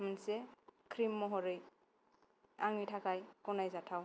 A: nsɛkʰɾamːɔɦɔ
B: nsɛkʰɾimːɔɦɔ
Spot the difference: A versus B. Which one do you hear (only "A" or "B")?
B